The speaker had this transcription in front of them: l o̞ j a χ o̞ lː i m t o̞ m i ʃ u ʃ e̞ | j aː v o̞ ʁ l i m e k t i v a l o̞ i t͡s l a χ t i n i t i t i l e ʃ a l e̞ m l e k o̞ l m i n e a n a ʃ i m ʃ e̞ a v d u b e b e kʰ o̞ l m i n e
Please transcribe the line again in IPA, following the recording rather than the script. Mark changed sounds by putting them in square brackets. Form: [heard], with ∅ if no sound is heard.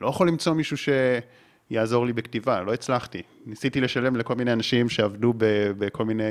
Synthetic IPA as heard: l o̞ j a χ o̞ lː i m [t͡s] o̞ m i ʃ u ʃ e̞ | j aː [z] o̞ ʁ l i [b] e k t i v a l o̞ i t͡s l a χ t i n i [s] i t i l e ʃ a l e̞ m l e k o̞ l m i n e a n a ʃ i m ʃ e̞ a v d u b e b e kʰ o̞ l m i n e